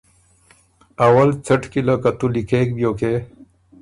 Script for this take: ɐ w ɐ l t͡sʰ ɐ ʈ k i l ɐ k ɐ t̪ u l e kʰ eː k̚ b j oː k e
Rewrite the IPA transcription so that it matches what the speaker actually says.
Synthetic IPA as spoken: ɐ w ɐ l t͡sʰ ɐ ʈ k i l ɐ k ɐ t̪ u l i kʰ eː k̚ b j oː k e